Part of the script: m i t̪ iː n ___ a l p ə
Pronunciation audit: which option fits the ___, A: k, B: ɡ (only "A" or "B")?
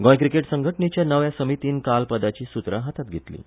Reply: A